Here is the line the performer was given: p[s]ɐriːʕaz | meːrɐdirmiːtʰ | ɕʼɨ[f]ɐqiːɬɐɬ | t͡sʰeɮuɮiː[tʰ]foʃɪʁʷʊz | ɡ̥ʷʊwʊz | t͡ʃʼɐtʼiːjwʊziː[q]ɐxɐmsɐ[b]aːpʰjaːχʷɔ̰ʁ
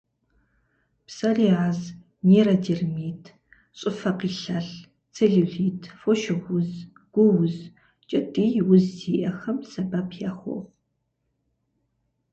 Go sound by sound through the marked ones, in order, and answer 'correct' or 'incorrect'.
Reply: correct, correct, correct, incorrect: ʔ, correct

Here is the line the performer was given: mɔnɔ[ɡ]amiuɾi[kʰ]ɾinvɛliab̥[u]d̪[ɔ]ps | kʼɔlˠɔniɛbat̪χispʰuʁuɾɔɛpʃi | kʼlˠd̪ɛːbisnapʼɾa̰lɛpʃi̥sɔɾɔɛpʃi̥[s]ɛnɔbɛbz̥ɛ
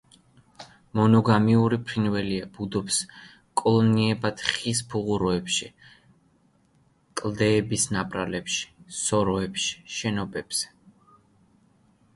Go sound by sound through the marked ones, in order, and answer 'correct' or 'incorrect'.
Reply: correct, incorrect: pʰ, correct, correct, incorrect: ʃ

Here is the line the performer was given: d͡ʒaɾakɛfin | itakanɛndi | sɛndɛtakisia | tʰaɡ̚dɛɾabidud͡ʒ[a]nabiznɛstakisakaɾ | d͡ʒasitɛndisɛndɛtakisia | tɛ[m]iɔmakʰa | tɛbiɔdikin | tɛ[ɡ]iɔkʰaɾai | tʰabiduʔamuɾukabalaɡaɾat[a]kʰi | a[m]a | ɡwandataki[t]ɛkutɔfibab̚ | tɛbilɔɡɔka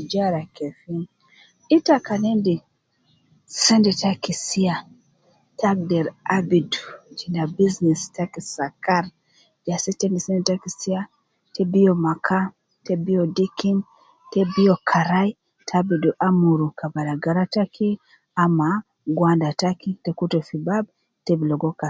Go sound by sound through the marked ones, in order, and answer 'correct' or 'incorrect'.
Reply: incorrect: i, incorrect: b, incorrect: b, correct, correct, correct

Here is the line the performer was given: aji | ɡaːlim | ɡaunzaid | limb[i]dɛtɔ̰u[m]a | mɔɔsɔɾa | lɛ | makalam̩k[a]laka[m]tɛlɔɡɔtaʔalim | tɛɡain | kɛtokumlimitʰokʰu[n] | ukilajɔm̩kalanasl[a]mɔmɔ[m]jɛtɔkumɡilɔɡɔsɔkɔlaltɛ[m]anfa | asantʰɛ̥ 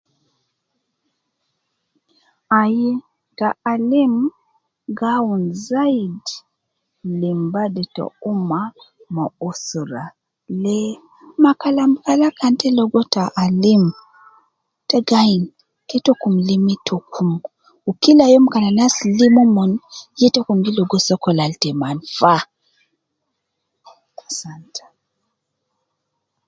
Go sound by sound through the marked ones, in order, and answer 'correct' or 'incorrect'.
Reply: incorrect: a, correct, correct, incorrect: n, incorrect: m, incorrect: i, incorrect: n, correct

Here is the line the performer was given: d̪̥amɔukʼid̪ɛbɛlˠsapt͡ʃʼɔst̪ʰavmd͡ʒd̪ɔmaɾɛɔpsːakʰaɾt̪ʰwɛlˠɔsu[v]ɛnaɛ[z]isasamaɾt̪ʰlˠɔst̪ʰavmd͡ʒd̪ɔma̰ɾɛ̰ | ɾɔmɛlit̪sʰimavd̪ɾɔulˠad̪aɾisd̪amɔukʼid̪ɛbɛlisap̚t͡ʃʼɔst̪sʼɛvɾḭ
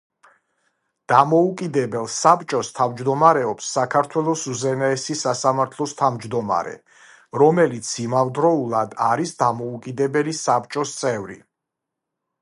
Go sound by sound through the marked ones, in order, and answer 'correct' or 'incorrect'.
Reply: incorrect: z, incorrect: s

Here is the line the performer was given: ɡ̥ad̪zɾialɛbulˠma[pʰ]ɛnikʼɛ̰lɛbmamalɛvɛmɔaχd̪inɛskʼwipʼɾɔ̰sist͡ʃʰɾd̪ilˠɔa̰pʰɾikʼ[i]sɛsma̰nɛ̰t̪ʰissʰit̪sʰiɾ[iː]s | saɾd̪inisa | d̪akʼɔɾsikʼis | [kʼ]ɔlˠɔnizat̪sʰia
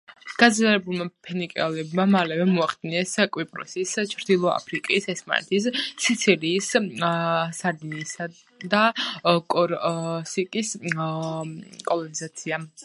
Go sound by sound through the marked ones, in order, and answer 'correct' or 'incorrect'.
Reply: correct, correct, correct, correct

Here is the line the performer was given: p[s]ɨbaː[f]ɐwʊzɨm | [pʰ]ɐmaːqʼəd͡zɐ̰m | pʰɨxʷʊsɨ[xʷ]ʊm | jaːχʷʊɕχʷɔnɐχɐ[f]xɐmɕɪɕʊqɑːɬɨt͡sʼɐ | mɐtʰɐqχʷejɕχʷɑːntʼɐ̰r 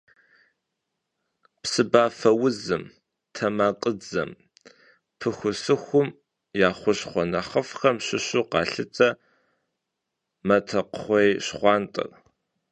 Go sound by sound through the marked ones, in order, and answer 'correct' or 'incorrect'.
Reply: correct, correct, incorrect: tʰ, correct, correct

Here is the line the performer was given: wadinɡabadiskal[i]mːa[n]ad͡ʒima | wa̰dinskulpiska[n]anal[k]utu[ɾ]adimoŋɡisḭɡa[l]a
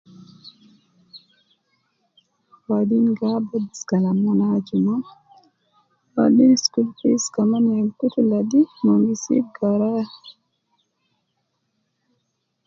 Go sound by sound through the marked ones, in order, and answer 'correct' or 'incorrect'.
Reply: incorrect: a, correct, incorrect: m, correct, incorrect: l, incorrect: ɾ

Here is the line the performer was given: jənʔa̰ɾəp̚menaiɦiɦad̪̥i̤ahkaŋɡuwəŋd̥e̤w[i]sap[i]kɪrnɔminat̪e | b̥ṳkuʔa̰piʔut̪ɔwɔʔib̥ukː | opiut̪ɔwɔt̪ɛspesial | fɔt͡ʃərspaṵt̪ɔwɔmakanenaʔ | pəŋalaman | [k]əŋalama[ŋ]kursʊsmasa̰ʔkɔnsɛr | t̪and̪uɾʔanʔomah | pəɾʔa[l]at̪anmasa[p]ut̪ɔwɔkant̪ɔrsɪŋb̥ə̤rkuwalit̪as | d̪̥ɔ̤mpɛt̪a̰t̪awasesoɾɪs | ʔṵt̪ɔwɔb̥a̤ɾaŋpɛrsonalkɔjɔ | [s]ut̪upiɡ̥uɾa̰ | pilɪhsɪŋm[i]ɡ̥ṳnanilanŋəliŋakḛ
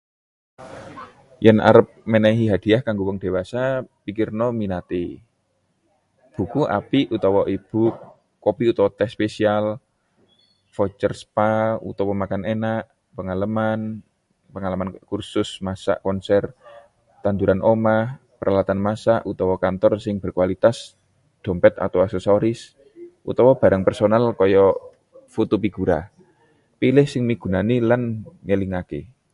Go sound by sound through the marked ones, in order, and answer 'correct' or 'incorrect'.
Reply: incorrect: a, correct, incorrect: p, incorrect: n, correct, incorrect: ʔ, incorrect: f, correct

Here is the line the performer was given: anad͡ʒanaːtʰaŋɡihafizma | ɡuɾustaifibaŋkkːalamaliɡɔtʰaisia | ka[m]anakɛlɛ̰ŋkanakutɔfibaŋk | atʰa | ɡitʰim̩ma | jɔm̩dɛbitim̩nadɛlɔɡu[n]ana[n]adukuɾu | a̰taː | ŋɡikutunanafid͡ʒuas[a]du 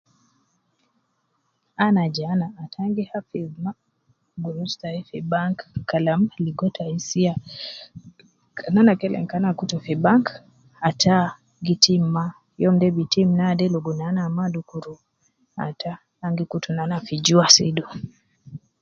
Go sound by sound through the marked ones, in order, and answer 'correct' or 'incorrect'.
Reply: incorrect: n, correct, incorrect: m, incorrect: i

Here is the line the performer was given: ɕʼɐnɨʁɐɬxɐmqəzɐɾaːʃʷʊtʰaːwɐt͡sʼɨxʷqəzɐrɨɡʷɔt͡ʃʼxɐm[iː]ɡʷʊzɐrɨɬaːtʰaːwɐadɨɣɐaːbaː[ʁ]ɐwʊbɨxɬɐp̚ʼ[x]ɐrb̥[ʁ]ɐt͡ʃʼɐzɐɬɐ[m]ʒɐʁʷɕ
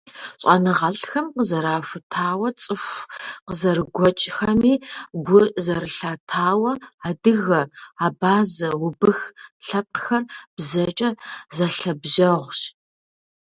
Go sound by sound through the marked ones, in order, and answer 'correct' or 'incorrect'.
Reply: correct, incorrect: z, correct, incorrect: z, incorrect: b

